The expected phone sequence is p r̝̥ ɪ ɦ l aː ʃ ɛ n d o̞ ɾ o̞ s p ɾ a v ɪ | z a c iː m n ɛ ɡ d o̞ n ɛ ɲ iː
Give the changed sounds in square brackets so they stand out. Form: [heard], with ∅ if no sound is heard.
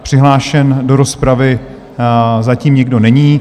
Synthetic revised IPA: p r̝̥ ɪ ɦ l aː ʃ ɛ n d o̞ ɾ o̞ s p ɾ a v ɪ | z a c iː m [ɲ] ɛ ɡ d o̞ n ɛ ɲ iː